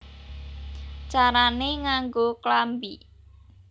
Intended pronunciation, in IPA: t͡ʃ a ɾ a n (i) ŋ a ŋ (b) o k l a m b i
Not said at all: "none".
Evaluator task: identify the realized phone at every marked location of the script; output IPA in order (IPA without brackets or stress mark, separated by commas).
e, ɡ